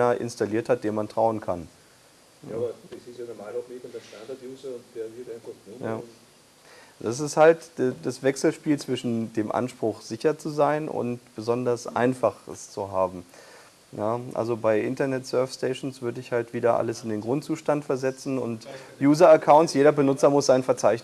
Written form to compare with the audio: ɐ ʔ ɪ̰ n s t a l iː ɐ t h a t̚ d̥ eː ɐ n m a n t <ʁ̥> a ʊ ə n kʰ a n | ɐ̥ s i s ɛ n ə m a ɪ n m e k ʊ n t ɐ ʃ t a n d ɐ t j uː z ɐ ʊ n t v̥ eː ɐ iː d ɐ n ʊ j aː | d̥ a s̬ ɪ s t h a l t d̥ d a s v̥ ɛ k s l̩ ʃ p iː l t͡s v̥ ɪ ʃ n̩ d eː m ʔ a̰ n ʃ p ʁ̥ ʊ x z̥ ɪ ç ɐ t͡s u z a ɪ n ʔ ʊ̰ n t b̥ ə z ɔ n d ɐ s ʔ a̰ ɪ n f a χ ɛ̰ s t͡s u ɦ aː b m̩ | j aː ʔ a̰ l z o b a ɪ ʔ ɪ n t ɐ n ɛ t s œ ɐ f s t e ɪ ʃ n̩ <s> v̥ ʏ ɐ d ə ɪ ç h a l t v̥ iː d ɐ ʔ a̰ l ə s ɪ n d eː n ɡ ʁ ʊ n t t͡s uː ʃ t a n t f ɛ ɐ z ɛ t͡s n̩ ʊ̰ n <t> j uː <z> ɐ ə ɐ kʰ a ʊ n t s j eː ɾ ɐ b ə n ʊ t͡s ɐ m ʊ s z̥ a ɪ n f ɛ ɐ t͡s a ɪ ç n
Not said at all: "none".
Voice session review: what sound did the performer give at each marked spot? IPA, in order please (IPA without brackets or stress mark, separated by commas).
ʁ̥, s, t, z